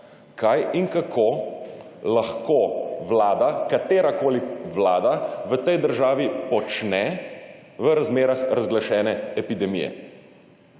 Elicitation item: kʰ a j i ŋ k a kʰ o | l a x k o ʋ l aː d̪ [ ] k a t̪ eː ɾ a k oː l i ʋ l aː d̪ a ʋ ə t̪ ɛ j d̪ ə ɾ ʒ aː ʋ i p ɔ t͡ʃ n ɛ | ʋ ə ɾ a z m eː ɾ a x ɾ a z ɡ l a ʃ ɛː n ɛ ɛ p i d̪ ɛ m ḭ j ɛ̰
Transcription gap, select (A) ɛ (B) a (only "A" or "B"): B